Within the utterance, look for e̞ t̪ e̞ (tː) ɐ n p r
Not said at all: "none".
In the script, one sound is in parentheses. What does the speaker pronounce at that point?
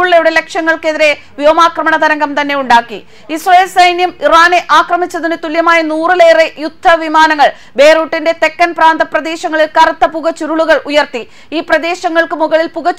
kː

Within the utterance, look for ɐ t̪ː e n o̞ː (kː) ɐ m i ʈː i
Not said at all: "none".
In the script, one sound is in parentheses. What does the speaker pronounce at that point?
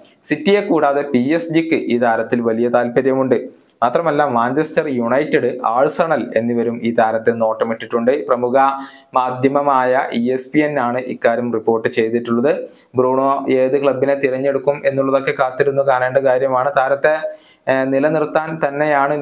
ʈː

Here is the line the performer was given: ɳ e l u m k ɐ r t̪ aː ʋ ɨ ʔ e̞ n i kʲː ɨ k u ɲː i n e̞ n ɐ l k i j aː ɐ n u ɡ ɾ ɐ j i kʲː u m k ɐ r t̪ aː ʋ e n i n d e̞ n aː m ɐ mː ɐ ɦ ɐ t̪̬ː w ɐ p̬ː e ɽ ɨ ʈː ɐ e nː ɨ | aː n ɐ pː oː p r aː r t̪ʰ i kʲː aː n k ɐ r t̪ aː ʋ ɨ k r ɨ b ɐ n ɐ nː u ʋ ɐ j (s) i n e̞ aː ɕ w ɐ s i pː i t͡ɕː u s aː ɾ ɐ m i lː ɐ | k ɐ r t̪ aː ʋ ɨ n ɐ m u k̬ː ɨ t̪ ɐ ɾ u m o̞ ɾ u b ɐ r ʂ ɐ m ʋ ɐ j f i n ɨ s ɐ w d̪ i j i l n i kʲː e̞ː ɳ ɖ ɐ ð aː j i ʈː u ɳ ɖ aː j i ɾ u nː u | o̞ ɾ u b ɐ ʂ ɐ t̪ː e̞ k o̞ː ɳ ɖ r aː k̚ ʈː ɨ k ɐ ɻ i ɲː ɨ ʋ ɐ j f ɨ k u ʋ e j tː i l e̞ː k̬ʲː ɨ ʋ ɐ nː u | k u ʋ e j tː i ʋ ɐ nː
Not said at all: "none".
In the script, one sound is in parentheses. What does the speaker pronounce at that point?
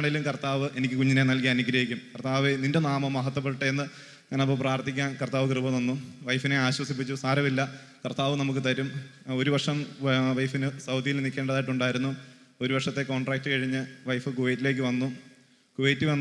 f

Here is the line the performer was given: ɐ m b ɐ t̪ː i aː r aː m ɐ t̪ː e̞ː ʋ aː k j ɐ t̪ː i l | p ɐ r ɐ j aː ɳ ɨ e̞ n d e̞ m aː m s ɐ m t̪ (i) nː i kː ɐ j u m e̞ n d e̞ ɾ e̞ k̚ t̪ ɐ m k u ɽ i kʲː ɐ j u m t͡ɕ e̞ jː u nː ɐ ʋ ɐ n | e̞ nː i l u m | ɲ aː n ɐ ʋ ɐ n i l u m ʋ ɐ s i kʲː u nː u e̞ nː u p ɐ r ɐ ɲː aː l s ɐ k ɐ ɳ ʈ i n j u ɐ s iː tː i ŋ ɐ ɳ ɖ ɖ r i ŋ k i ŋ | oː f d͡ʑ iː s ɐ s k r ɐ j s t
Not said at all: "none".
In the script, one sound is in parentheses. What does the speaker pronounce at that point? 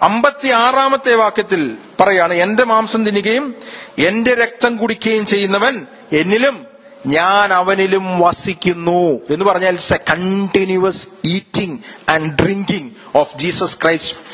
i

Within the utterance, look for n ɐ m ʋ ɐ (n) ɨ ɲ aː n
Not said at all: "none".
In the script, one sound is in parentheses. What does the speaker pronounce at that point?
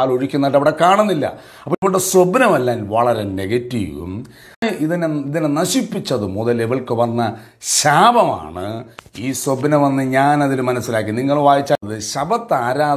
nː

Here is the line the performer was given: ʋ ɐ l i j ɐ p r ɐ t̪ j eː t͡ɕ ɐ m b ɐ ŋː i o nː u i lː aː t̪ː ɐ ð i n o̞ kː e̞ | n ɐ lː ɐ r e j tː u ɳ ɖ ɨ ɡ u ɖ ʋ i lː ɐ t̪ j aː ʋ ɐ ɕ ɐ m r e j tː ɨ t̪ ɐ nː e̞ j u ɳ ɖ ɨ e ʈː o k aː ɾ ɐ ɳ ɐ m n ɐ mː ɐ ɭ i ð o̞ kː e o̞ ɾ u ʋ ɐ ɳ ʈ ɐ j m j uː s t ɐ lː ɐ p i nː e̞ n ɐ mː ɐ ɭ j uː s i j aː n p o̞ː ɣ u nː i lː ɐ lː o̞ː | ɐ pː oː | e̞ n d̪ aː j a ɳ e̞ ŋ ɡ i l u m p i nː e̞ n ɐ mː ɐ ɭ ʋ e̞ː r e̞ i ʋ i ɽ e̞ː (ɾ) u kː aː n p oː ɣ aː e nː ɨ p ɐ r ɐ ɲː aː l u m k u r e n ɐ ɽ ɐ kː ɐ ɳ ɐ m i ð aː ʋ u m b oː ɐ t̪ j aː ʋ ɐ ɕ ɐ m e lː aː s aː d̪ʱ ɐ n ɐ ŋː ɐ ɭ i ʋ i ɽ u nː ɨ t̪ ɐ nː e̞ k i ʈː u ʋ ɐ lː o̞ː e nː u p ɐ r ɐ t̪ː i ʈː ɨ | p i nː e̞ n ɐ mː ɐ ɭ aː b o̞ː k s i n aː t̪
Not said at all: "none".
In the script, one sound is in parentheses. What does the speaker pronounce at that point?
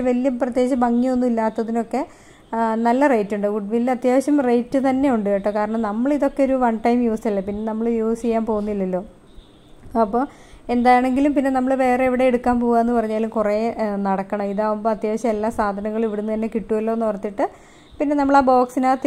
ɽ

